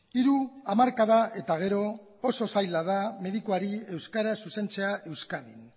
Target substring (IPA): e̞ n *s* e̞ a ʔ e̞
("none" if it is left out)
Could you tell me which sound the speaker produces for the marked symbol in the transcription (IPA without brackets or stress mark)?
t͡s